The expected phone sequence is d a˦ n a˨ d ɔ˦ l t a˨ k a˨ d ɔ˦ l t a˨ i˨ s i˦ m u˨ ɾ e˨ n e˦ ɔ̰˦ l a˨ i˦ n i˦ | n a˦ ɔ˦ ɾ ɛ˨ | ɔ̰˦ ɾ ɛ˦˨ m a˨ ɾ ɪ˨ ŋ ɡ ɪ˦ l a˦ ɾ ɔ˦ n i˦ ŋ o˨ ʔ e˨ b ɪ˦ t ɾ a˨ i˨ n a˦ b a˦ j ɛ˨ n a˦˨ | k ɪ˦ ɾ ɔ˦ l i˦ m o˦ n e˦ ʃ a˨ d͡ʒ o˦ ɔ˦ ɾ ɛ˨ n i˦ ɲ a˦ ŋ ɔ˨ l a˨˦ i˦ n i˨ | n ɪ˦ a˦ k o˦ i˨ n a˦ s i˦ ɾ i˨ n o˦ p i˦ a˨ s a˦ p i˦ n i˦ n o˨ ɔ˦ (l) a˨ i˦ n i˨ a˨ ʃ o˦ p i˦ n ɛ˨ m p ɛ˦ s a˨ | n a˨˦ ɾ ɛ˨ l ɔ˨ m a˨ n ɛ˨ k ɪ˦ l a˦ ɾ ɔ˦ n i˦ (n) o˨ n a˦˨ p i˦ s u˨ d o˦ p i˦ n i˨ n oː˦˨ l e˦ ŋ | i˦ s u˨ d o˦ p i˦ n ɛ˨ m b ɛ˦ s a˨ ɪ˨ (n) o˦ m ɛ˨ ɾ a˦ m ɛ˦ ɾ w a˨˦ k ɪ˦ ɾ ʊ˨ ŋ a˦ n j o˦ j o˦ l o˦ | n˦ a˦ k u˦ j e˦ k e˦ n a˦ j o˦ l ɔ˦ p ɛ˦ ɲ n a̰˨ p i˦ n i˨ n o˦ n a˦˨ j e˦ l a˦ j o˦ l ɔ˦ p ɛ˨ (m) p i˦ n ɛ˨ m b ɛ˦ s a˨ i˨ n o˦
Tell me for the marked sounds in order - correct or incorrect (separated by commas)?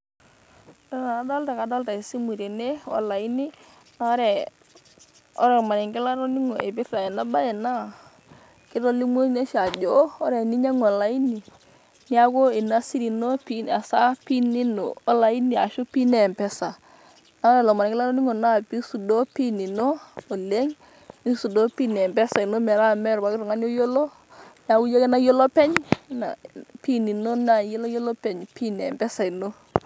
correct, incorrect, correct, incorrect